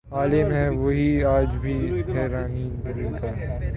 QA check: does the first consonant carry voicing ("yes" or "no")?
yes